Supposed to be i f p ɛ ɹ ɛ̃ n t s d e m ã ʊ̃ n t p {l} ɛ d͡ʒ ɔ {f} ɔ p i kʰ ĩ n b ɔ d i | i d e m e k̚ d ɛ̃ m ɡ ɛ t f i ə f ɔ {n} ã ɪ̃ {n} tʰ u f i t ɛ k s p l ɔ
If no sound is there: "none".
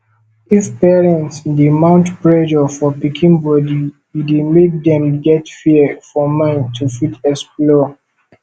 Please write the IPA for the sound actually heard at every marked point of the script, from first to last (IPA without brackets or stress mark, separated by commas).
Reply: ɹ, f, m, n